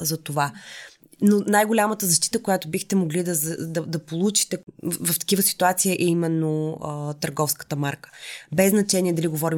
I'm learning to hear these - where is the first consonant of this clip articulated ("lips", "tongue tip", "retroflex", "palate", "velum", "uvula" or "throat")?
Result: tongue tip